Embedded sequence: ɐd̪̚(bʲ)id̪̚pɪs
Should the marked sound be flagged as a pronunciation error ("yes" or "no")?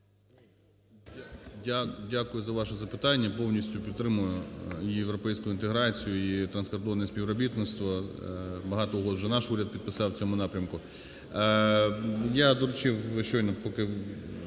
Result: yes